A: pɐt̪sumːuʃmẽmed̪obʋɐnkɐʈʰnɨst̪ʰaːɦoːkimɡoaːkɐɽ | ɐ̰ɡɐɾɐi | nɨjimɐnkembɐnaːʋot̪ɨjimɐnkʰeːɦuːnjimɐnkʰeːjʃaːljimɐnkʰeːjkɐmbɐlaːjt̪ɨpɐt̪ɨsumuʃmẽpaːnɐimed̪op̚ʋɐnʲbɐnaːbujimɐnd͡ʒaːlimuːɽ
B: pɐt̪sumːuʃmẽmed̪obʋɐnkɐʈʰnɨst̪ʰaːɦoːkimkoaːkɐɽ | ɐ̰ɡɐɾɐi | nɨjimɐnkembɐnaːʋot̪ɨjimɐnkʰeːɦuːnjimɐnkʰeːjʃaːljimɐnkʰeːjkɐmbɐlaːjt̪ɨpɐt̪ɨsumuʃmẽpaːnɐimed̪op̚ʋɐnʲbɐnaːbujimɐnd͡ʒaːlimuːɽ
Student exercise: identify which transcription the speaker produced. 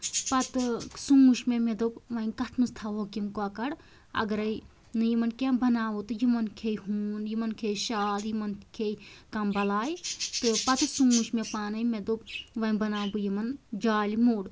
B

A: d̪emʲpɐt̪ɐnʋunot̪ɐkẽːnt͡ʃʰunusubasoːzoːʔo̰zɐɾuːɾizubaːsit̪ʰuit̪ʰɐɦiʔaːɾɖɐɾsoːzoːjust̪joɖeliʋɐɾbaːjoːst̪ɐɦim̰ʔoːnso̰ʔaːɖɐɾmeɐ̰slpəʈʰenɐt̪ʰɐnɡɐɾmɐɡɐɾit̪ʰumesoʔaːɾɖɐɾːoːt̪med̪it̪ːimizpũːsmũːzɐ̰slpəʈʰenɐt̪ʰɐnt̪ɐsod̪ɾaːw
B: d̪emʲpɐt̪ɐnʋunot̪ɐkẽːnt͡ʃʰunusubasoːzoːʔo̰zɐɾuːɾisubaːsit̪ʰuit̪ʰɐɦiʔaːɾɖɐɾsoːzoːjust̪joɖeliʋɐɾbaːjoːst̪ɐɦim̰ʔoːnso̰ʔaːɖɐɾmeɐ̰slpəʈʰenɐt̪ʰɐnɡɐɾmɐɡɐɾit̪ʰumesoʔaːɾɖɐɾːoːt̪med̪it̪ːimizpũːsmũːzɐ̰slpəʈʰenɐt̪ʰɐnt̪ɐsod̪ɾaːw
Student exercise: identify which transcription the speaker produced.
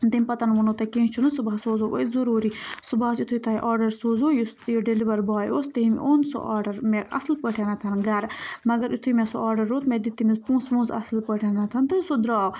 B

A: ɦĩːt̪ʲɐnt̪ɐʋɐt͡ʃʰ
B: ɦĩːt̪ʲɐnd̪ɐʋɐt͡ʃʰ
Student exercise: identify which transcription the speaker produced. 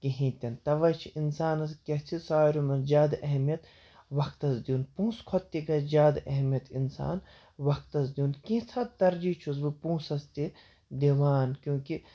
A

